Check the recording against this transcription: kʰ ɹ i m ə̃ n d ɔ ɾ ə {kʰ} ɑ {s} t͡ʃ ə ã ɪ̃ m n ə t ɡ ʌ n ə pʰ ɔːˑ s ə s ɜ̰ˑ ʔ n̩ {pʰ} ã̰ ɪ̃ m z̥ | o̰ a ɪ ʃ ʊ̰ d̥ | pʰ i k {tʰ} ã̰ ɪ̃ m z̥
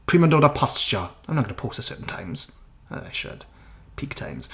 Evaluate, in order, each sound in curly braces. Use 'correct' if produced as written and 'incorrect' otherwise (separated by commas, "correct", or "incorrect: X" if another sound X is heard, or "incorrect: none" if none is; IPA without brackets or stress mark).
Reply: incorrect: pʰ, correct, incorrect: tʰ, correct